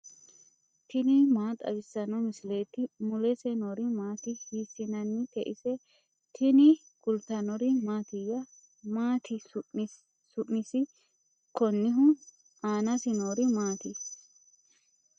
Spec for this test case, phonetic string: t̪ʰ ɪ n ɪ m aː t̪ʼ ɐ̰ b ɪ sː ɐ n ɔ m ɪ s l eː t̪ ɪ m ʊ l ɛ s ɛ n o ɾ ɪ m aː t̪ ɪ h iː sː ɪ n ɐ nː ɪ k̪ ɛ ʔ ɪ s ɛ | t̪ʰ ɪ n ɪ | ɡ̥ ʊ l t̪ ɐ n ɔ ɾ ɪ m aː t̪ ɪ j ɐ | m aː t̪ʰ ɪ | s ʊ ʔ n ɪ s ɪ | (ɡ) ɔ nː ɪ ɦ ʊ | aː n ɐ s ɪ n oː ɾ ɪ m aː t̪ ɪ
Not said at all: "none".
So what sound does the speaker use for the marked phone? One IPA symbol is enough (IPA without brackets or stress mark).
k